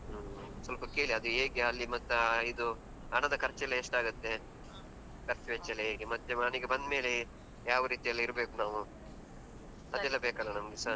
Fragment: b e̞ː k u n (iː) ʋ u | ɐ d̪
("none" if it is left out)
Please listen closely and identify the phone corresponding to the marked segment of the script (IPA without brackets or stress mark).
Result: aː